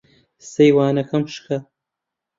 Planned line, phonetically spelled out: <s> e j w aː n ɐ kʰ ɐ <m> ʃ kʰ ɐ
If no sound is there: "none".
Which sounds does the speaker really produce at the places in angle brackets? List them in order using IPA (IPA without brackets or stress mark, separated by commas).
s, m